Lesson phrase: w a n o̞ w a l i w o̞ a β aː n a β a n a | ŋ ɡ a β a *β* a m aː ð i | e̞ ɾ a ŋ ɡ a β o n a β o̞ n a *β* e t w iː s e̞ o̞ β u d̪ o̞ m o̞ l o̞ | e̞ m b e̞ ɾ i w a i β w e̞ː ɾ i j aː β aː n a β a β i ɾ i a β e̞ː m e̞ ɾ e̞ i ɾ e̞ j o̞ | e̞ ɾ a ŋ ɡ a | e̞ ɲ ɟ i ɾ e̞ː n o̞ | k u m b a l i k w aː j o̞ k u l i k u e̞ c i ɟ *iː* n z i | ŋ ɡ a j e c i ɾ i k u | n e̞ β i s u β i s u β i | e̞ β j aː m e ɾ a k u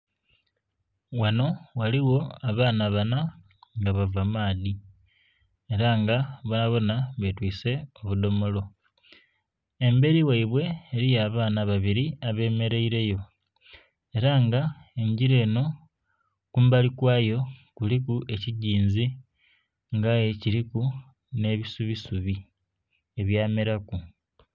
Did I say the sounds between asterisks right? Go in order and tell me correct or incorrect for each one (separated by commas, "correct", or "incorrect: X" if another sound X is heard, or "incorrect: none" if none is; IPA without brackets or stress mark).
incorrect: v, correct, correct